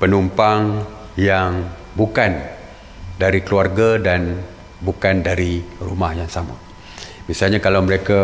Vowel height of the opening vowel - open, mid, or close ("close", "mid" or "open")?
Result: mid